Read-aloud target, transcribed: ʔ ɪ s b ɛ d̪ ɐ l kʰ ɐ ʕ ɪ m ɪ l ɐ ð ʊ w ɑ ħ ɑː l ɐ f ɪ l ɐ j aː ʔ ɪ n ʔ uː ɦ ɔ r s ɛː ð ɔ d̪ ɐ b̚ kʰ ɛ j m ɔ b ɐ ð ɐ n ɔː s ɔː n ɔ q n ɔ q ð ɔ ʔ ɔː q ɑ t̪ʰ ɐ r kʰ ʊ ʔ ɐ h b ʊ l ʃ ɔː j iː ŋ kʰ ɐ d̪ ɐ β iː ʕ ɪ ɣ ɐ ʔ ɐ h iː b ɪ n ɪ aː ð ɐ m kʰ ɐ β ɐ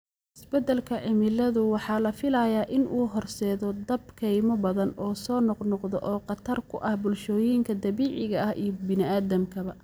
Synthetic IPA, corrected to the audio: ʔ ɪ s b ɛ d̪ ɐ l kʰ ɐ ʕ ɪ m ɪ l ɐ ð ʊ w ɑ ħ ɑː l ɐ f ɪ l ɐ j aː ʔ ɪ n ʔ uː ɦ ɔ r s ɛː ð ɔ d̪ ɐ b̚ kʰ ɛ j m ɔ b ɐ ð ɐ n ɔː s ɔː n ɔ q n ɔ q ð ɔ ʔ ɔː q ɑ t̪ʰ ɐ r kʰ ʊ ʔ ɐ h b ʊ l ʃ ɔː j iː ŋ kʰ ɐ d̪ ɐ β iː ʕ ɪ ɣ ɐ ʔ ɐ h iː b ɪ n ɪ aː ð ɐ m kʰ ɐ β ɐ